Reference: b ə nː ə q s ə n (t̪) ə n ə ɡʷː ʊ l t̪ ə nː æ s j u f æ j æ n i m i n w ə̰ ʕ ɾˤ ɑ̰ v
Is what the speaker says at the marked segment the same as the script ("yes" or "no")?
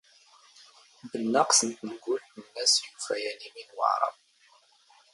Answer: yes